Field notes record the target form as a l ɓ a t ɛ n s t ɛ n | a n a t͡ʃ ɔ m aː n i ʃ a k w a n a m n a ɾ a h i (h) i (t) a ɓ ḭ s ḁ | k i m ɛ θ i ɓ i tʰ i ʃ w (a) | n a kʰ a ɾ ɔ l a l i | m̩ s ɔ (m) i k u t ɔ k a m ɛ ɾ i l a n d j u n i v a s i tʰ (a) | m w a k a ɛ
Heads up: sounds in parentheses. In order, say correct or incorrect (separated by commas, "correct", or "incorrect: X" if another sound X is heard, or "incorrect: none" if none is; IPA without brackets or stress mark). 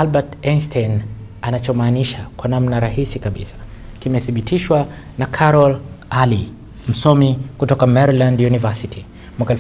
incorrect: s, incorrect: k, correct, correct, incorrect: i